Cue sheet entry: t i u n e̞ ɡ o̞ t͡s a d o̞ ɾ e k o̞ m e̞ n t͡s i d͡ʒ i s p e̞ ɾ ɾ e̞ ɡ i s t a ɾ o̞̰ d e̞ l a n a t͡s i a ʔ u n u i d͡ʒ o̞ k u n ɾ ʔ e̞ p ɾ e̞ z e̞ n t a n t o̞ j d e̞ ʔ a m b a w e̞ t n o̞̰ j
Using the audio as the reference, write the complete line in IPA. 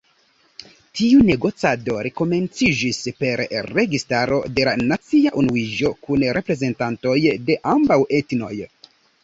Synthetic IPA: t i u n e̞ ɡ o̞ t͡s a d o̞ ɾ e k o̞ m e̞ n t͡s i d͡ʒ i s p e̞ ɾ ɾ e̞ ɡ i s t a ɾ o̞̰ d e̞ l a n a t͡s i a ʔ u n u i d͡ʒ o̞ k u n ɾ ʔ e̞ p ɾ e̞ z e̞ n t a n t o̞ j d e̞ ʔ a m b a w e̞ t n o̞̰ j